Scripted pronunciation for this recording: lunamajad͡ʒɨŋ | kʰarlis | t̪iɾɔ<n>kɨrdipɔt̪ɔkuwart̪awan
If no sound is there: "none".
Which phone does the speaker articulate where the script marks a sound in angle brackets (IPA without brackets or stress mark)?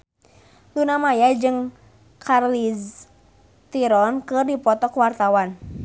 n